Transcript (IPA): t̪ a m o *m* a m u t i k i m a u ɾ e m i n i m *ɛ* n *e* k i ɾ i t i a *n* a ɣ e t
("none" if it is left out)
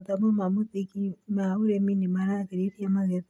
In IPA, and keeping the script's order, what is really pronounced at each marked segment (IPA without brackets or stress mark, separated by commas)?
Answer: m, a, a, m